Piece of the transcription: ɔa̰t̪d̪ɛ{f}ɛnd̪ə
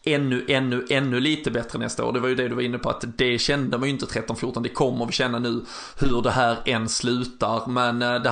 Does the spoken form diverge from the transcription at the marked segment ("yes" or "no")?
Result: yes